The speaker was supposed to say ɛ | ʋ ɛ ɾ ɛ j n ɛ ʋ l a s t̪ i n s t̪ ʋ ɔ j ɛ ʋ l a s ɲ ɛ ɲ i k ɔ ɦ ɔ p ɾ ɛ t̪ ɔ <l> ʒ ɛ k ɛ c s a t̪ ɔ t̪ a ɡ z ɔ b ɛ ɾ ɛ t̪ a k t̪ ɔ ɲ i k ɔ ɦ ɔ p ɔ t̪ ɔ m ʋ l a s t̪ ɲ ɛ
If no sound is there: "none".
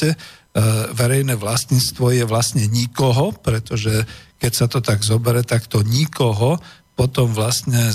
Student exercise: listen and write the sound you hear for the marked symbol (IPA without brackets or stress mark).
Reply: none